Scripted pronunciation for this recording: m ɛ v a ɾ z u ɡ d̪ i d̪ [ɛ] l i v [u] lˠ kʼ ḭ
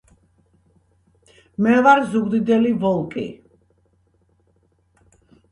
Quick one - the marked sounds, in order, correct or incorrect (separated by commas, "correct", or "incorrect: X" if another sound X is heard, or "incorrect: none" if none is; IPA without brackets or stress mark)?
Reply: correct, incorrect: ɔ